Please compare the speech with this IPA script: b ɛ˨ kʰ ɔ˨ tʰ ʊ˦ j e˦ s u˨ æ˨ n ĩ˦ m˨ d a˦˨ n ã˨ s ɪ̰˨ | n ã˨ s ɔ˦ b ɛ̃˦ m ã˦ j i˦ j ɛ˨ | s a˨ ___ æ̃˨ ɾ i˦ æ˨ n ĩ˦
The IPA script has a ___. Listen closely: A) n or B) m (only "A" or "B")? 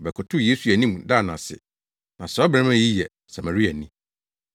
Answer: B